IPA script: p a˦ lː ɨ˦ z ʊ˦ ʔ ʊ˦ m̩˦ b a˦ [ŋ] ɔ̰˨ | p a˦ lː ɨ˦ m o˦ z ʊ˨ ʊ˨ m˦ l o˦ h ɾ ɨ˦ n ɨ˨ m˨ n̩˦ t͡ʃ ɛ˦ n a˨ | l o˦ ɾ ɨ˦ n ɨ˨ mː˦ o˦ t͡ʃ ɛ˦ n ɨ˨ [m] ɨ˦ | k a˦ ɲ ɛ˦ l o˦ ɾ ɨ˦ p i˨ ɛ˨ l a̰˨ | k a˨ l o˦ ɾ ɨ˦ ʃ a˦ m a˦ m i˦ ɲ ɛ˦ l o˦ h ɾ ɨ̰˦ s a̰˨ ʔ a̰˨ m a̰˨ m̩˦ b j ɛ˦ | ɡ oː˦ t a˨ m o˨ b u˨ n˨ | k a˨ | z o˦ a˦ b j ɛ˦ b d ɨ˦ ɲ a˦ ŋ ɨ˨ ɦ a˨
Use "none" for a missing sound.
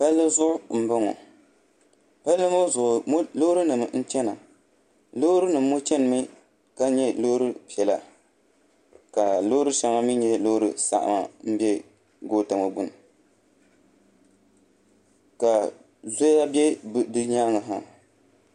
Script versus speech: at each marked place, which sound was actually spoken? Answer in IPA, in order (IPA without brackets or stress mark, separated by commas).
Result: ŋ, m